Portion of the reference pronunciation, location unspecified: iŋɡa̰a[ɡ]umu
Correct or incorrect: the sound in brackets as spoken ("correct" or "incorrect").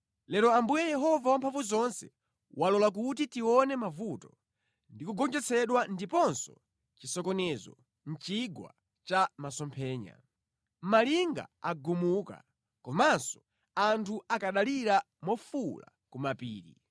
correct